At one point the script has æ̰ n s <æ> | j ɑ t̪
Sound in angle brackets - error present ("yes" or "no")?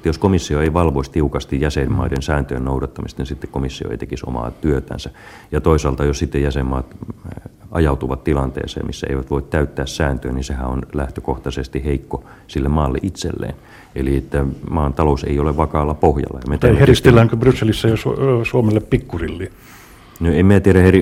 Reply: no